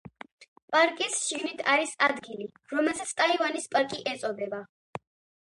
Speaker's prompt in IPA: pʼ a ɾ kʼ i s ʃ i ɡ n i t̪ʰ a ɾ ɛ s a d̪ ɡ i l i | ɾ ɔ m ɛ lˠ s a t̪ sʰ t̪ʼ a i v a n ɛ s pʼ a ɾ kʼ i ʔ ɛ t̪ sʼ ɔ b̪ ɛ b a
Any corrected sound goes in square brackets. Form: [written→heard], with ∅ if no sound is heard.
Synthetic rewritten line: pʼ a ɾ kʼ i s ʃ i ɡ n i t̪ʰ a ɾ [ɛ→i] s a d̪ ɡ i l i | ɾ ɔ m ɛ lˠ s a t̪ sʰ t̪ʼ a i v a n [ɛ→i] s pʼ a ɾ kʼ i ʔ ɛ t̪ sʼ ɔ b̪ ɛ b a